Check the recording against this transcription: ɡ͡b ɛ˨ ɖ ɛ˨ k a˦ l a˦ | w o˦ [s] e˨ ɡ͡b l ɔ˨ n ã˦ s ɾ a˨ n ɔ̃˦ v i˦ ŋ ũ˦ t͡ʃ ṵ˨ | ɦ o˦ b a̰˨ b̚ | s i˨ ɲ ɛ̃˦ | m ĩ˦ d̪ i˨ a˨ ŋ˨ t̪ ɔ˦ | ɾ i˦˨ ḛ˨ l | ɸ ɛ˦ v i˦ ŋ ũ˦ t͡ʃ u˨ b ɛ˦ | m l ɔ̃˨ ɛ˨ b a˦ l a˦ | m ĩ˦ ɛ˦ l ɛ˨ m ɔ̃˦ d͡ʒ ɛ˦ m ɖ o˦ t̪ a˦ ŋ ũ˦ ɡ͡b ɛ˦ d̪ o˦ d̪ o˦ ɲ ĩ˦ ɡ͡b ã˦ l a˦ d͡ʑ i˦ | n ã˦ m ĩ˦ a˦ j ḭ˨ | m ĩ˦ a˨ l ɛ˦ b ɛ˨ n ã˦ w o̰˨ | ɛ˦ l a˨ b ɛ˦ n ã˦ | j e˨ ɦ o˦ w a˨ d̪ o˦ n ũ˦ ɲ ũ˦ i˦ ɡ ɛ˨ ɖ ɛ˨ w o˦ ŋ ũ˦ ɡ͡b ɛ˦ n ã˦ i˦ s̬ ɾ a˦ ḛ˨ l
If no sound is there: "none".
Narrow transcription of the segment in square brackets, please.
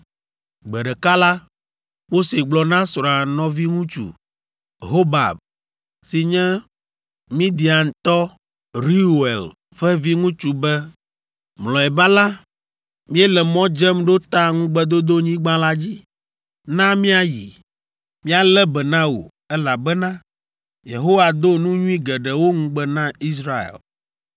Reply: s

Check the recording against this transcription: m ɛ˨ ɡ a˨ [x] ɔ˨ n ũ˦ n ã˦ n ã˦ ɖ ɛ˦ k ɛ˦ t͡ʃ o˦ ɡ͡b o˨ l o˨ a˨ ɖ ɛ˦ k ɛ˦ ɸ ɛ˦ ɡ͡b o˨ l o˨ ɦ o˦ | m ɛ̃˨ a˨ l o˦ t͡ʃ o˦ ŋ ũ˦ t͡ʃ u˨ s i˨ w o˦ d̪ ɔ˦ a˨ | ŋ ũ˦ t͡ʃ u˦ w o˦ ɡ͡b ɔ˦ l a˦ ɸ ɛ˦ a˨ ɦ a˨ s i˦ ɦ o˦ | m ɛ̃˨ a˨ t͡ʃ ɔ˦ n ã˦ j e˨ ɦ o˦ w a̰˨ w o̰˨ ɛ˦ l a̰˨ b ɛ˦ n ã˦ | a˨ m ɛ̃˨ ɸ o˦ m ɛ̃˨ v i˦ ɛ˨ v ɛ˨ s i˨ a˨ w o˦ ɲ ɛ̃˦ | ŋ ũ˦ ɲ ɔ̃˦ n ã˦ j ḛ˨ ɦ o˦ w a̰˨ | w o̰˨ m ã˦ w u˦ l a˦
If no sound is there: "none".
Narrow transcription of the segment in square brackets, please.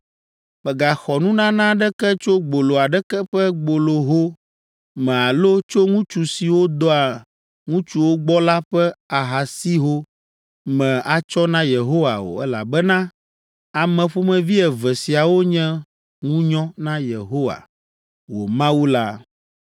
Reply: x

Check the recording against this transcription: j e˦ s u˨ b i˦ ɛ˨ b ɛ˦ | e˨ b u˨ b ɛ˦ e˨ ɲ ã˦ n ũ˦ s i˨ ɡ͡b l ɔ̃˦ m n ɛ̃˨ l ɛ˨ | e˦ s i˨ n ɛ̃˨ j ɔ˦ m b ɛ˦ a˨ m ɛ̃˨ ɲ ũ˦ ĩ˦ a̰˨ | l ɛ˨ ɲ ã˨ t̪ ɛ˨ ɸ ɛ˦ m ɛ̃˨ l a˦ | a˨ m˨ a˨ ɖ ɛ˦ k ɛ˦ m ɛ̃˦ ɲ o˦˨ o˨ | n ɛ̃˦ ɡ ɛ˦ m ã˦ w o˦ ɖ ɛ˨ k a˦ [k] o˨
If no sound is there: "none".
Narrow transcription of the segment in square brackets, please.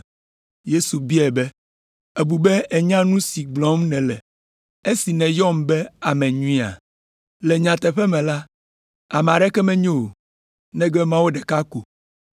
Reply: k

